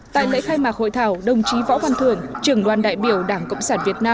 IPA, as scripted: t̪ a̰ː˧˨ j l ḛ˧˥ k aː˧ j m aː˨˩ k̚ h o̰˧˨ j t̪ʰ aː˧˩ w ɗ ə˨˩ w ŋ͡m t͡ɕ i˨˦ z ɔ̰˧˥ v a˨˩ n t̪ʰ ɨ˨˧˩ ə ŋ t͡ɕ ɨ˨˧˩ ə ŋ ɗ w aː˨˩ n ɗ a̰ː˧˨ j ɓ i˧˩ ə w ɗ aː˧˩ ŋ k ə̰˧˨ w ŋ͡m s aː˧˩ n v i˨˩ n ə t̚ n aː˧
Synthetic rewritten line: t̪ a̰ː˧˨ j l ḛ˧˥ x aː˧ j m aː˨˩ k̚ h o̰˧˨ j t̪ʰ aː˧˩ w ɗ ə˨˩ w ŋ͡m t͡ɕ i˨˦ v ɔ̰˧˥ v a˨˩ n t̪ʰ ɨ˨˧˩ ə ŋ t͡ɕ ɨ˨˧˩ ə ŋ ɗ w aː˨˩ n ɗ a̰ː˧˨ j ɓ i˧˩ ə w ɗ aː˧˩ ŋ k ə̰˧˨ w ŋ͡m s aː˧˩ n v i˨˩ ə t̚ n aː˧